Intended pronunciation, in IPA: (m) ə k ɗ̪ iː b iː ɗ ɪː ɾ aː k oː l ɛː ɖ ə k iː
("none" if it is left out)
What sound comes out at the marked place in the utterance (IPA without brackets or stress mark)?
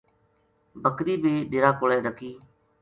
b